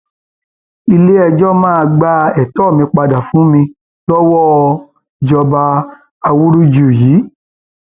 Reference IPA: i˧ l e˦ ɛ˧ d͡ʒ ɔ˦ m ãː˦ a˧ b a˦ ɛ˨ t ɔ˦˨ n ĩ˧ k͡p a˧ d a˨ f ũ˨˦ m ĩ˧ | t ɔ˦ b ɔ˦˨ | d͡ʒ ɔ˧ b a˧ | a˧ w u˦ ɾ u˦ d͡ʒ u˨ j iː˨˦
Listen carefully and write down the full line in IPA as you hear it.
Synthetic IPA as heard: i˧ l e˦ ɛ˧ d͡ʒ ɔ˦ m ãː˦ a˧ ɡ͡b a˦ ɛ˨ t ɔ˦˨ m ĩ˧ k͡p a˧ d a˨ f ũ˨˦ m ĩ˧ | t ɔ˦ w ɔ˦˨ | d͡ʒ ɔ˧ b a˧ | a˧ w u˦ ɾ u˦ d͡ʒ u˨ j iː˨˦

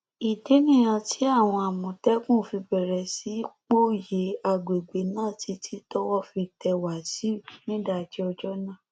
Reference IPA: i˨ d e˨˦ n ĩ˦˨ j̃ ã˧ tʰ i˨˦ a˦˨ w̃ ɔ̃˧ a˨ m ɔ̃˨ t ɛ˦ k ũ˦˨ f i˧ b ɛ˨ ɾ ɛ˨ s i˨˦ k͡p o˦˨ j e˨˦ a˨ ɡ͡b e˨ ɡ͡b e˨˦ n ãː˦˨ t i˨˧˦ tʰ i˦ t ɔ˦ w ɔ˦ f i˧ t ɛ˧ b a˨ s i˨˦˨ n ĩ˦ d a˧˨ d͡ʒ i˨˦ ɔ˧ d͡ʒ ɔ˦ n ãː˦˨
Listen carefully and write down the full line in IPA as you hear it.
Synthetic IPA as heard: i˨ d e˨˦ n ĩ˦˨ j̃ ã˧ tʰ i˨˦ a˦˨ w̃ ɔ̃˧ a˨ m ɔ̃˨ t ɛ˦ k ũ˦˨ f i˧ b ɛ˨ ɾ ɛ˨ s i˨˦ k͡p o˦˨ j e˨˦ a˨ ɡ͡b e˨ ɡ͡b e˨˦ n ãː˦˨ t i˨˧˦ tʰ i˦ t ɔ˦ w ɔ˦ f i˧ t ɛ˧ w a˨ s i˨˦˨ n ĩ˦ d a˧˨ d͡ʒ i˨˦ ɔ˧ d͡ʒ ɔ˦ n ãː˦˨

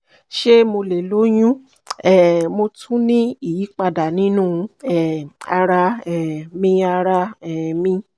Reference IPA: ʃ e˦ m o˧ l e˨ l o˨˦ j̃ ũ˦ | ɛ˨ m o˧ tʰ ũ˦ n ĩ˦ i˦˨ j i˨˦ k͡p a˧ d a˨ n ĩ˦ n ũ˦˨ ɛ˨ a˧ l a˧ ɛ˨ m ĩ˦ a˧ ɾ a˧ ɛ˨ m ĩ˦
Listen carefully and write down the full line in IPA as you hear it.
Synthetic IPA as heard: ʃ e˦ m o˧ l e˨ l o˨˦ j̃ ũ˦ | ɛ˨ m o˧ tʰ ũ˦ n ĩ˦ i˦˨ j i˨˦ k͡p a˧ d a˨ n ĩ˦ n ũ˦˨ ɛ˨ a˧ ɾ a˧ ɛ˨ m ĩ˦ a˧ ɾ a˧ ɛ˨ m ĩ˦

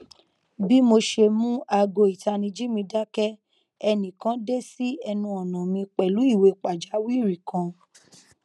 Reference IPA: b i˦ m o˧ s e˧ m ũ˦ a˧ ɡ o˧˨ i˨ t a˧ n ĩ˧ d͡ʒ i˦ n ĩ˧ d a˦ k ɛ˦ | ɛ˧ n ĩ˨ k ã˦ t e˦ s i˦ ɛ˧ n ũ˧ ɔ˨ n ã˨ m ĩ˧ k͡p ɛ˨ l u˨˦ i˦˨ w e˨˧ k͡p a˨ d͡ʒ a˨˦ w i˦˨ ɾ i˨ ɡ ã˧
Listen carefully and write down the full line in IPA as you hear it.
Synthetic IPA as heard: b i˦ m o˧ ʃ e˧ m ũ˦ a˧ ɡ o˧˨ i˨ t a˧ n ĩ˧ d͡ʒ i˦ m ĩ˧ d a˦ k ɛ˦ | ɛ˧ n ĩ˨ k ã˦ d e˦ s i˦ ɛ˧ n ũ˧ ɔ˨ n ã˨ m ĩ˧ k͡p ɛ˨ l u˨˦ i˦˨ w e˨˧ k͡p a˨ d͡ʒ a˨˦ w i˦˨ ɾ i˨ k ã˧

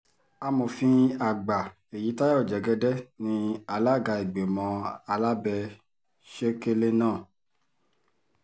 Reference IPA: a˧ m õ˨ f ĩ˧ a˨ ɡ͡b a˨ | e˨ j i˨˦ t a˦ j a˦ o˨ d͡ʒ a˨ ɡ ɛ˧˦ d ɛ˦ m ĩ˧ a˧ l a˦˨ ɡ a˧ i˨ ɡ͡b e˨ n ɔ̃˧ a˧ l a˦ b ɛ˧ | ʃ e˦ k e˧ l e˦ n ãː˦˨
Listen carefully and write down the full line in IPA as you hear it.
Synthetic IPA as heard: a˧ m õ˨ f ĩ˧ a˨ ɡ͡b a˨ | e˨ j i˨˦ t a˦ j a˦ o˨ d͡ʒ ɛ˨ ɡ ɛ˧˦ d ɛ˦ n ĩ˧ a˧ l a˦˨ ɡ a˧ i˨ ɡ͡b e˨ m ɔ̃˧ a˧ l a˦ b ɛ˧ | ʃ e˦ k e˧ l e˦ n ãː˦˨

